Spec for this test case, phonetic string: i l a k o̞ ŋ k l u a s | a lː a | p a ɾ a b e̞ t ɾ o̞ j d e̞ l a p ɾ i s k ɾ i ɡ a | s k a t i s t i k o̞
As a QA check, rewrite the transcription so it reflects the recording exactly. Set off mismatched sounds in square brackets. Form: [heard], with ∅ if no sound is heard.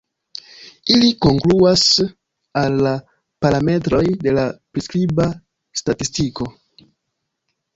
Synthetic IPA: i l [i] k o̞ ŋ k l u a s | a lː a | p a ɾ a [m] e̞ t ɾ o̞ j d e̞ l a p ɾ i s k ɾ i [b] a | s [t] a t i s t i k o̞

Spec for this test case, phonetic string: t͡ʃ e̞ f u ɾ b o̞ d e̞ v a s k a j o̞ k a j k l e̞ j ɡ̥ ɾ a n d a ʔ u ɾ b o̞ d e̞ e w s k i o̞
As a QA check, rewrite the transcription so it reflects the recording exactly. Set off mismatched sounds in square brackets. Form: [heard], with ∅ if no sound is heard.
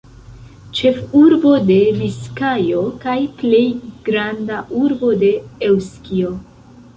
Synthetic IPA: t͡ʃ e̞ f u ɾ b o̞ d e̞ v [i] s k a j o̞ k a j [p] l e̞ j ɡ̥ ɾ a n d a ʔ u ɾ b o̞ d e̞ e w s k i o̞

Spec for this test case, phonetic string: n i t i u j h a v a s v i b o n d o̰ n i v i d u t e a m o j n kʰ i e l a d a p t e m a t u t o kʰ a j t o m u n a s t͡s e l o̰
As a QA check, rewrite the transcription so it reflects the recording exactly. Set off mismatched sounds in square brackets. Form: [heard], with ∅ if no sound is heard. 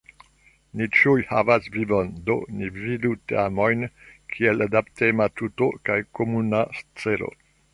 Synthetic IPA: n i [t͡ʃ] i u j h a v a s v i [v] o n d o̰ n i v i d u t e a m o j n kʰ i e l a d a p t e m a t u t o [k] a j [k] o m u n a s t͡s e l o̰

